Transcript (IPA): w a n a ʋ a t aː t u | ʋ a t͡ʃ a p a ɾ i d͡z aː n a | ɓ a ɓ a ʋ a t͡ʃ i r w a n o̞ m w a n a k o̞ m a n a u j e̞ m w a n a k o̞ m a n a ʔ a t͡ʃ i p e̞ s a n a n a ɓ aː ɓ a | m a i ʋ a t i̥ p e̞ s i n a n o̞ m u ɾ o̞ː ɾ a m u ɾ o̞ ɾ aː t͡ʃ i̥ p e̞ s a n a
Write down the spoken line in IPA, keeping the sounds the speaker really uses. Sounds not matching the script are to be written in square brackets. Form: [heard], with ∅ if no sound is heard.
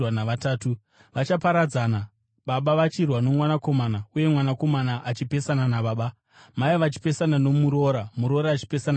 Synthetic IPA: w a n a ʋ a t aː t u | ʋ a t͡ʃ a p a ɾ [a] d͡z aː n a | ɓ a ɓ a ʋ a t͡ʃ i r w a n o̞ m w a n a k o̞ m a n a u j e̞ m w a n a k o̞ m a n a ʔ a t͡ʃ i p e̞ s a n a n a ɓ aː ɓ a | m a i ʋ a [t͡ʃ] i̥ p e̞ s [a] n a n o̞ m u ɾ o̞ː ɾ a m u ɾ o̞ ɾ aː t͡ʃ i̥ p e̞ s a n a